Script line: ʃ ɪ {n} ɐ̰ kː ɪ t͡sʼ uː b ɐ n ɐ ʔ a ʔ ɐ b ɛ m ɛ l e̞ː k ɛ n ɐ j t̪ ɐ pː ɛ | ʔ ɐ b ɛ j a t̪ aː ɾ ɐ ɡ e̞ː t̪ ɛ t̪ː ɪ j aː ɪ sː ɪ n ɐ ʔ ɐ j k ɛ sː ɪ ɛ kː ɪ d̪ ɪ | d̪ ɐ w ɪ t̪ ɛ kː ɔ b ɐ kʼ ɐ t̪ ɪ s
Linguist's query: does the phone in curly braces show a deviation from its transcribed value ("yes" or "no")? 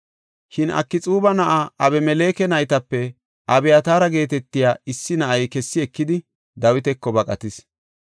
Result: no